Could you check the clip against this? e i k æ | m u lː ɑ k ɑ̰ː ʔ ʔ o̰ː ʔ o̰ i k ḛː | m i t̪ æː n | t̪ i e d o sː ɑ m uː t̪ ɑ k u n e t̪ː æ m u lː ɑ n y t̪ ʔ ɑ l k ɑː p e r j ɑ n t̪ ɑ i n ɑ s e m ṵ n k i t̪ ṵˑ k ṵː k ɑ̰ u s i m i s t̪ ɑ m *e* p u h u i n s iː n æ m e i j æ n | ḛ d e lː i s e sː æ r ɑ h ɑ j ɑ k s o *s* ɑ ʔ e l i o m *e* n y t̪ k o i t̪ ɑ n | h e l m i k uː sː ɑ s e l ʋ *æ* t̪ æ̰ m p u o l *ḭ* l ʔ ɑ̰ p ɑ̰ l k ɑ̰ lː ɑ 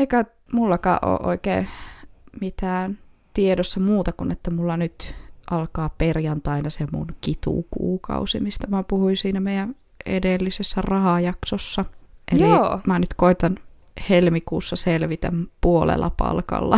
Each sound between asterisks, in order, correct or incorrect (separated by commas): incorrect, incorrect, incorrect, incorrect, incorrect